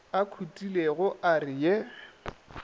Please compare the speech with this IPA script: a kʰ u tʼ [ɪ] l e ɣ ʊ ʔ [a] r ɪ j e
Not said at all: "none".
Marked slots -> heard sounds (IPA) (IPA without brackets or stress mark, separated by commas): i, a